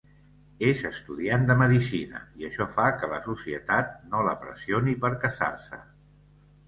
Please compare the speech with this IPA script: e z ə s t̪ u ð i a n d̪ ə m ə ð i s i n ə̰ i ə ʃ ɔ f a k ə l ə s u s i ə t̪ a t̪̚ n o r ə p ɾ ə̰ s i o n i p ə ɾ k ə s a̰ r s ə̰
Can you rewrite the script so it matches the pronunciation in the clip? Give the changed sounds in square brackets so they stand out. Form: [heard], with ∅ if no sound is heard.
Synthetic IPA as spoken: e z ə s t̪ u ð i a n d̪ ə m ə ð i s i n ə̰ i ə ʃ ɔ f a k ə l ə s u s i ə t̪ a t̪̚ n o [l] ə p ɾ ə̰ s i o n i p ə ɾ k ə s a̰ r s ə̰